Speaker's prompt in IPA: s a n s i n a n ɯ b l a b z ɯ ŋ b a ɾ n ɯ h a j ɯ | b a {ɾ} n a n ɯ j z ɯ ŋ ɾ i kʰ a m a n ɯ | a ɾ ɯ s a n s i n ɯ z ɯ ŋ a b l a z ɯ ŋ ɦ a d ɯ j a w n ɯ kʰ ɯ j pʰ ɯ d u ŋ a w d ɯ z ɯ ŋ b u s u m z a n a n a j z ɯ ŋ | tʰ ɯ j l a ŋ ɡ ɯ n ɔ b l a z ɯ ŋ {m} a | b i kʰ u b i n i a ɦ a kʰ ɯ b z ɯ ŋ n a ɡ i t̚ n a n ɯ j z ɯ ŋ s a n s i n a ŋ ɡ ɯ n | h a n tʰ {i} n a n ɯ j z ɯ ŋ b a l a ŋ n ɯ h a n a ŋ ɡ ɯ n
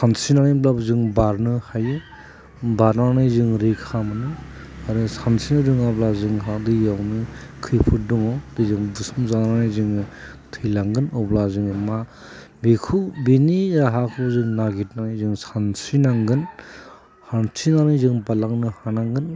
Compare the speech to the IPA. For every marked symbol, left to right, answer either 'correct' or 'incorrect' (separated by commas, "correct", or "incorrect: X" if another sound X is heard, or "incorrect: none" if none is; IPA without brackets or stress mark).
correct, correct, correct